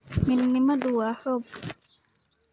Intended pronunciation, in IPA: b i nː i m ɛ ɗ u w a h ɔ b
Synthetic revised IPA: m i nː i m a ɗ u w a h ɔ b